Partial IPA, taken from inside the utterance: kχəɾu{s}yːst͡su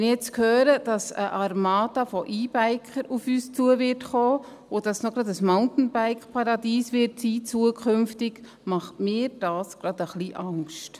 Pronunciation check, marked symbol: incorrect: f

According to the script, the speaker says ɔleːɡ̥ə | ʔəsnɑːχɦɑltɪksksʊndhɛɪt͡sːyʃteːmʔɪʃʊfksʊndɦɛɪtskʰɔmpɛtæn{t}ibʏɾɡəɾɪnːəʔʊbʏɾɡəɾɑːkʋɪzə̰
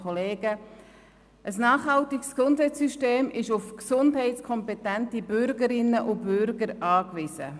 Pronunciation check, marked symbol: correct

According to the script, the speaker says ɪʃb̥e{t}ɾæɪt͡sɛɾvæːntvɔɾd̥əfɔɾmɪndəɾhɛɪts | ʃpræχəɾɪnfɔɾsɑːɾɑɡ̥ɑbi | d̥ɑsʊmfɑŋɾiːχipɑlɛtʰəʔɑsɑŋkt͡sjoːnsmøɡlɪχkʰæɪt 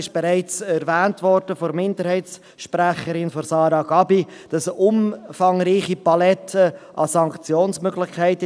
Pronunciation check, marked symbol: incorrect: none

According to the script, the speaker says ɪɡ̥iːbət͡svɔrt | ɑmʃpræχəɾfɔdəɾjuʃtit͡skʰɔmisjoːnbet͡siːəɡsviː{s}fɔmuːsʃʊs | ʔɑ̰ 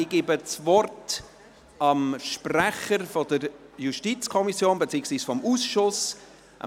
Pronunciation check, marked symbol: correct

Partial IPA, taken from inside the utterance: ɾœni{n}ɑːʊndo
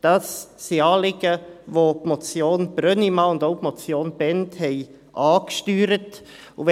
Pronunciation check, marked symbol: incorrect: m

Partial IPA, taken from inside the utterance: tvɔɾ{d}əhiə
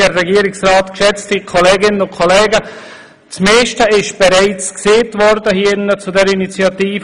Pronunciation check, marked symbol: correct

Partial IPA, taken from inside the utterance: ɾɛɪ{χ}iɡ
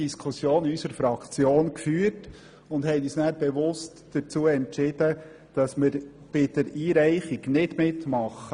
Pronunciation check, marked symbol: correct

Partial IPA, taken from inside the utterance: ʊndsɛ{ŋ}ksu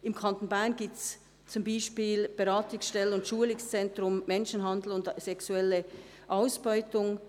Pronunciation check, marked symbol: incorrect: none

